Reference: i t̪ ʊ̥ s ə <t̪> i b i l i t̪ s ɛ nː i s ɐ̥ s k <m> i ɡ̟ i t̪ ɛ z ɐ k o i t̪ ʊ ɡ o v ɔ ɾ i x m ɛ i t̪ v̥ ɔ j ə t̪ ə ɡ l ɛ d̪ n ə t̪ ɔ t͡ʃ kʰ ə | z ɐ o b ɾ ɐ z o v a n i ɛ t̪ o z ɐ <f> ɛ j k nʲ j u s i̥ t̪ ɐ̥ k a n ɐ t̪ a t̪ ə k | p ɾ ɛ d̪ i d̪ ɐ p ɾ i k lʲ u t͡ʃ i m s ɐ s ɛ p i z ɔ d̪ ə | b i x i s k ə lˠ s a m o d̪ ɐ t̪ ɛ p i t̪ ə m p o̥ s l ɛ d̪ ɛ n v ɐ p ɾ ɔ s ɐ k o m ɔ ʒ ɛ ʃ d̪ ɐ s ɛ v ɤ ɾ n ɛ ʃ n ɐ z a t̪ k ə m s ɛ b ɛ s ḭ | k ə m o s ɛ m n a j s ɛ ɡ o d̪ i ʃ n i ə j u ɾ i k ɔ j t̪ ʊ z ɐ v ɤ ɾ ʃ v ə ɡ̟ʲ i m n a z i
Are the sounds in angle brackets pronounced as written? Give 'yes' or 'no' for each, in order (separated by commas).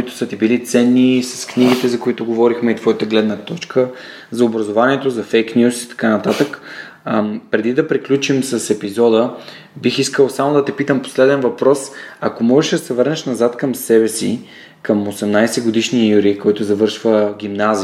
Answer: yes, no, yes